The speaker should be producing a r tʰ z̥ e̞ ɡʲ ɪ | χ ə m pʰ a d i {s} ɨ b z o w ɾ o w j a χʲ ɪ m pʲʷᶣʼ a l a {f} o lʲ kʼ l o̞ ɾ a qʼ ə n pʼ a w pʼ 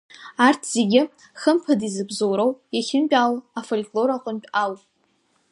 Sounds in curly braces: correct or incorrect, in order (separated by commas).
incorrect, correct